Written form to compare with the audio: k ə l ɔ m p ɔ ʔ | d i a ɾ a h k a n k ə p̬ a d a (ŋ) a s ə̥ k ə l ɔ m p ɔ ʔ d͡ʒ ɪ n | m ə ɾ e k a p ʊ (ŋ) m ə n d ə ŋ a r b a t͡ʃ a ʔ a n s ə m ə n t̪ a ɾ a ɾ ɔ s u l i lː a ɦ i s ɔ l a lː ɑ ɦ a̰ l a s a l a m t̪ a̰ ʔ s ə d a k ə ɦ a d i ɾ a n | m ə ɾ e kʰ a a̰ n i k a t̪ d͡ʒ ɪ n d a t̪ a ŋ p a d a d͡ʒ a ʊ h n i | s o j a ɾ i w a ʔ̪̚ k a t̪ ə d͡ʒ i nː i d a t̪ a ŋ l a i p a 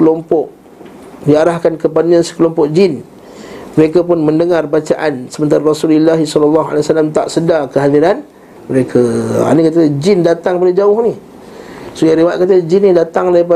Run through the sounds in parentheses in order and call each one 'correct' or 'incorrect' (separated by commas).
incorrect, incorrect